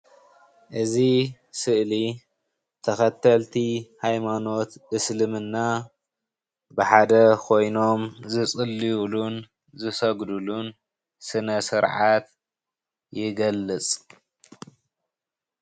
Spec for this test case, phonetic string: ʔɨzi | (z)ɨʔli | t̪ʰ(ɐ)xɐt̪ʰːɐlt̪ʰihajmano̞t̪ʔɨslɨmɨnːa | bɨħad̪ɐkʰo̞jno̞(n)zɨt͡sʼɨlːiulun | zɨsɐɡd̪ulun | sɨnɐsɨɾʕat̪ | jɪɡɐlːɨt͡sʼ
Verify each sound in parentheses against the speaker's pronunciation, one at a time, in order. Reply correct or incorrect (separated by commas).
incorrect, correct, incorrect